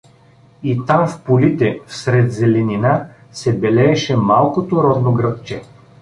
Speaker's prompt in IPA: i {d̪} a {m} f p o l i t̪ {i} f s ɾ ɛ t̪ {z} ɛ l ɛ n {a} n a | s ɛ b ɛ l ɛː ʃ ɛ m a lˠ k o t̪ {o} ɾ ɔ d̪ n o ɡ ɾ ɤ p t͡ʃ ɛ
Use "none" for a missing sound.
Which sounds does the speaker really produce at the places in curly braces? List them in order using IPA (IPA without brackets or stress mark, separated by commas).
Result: t̪, m, ɛ, z, i, o